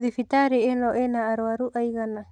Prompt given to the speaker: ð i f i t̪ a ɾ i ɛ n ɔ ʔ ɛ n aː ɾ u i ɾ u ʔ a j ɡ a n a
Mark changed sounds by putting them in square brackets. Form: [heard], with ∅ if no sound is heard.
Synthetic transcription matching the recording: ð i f i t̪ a ɾ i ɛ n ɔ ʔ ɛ n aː ɾ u [a] ɾ u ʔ a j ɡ a n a

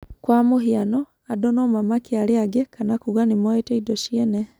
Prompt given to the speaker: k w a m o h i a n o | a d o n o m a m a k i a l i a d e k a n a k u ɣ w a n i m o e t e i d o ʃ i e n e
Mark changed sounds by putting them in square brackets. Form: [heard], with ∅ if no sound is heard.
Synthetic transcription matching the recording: k w a m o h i a n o | a d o n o m a m a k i a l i a [ɡ] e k a n a k u ɣ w a n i m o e t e i d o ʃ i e n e

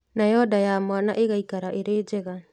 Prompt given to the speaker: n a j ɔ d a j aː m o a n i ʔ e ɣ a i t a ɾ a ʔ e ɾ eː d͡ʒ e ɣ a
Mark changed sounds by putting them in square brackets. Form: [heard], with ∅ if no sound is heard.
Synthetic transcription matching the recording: n a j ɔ d a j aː m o a n [a] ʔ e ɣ a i [k] a ɾ a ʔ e ɾ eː d͡ʒ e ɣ a

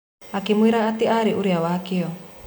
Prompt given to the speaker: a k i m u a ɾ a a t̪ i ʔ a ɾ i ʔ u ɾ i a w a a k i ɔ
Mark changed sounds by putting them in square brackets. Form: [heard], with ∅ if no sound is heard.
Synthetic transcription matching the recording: a k i m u [i] ɾ a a t̪ i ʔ a ɾ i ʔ u ɾ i a w a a k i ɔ

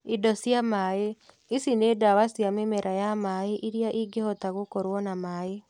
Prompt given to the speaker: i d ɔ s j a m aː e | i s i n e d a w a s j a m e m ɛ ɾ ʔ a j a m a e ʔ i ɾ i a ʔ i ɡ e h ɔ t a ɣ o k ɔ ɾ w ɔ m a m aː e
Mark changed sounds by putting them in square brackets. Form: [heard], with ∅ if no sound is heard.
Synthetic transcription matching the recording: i d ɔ s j a m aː e | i s i n e d a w a s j a m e m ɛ ɾ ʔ a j a m a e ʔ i ɾ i a ʔ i ɡ e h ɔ t a ɣ o k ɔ ɾ w ɔ [n] a m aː e

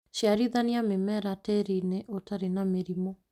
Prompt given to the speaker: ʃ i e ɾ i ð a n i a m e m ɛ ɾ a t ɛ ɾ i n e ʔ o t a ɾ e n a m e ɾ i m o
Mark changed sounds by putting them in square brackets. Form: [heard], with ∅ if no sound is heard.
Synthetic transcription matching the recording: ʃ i [a] ɾ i ð a n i a m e m ɛ ɾ a t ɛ ɾ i n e ʔ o t a ɾ e n a m e ɾ i m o

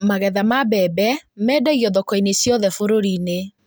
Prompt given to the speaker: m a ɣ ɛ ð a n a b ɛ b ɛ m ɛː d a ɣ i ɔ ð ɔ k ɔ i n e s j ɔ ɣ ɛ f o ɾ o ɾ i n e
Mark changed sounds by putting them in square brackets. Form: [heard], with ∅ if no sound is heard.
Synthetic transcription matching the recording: m a ɣ ɛ ð a [m] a b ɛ b ɛ m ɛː d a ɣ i ɔ ð ɔ k ɔ i n e s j ɔ [ð] ɛ f o ɾ o ɾ i n e

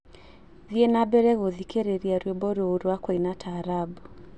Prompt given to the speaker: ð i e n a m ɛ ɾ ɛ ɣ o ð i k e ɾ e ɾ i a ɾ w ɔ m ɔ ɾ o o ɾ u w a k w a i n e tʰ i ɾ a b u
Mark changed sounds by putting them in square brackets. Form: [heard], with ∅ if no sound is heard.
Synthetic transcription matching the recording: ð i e n a [b] ɛ ɾ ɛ ɣ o ð i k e ɾ e ɾ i a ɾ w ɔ [b] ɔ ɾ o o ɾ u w a k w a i n [a] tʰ [a] ɾ a b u

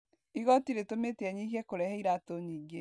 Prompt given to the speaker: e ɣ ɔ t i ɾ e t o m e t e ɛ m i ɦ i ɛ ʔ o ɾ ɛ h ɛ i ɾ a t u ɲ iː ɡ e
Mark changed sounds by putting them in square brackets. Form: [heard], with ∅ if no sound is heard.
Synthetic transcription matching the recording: [i] ɣ ɔ t i ɾ e t o m e t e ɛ [ɲ] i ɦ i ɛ [k] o ɾ ɛ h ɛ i ɾ a t [o] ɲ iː ɡ e

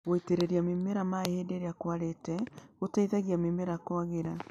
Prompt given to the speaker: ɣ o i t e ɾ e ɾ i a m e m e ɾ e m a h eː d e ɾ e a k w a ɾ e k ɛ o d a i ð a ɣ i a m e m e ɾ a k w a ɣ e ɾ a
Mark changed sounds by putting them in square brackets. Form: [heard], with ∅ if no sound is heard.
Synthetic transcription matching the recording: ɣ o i t e ɾ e ɾ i a m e m e ɾ [a] m a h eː d e ɾ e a k w a ɾ e [t] ɛ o [t] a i ð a ɣ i a m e m e ɾ a k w a ɣ e ɾ a

